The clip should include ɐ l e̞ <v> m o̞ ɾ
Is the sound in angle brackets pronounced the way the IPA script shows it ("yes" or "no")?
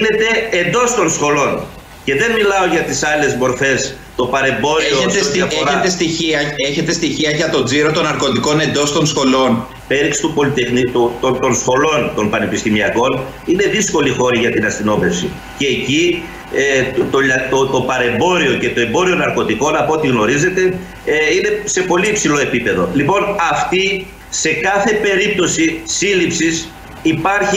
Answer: no